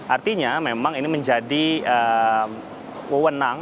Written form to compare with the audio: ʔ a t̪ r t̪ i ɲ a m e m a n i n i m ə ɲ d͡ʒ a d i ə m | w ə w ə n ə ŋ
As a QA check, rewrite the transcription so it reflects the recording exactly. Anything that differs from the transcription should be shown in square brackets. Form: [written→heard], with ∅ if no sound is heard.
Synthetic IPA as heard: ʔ a [t̪→∅] r t̪ i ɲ a m e m a [n→ŋ] i n i m ə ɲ d͡ʒ a d i ə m | w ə w ə n [ə→a] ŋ